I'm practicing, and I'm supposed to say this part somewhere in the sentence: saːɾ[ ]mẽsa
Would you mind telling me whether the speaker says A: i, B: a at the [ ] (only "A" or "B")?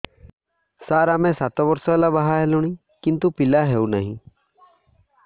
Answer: B